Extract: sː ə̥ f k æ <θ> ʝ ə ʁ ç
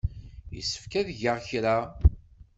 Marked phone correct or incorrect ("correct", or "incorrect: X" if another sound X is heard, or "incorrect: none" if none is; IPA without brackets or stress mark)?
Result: incorrect: ð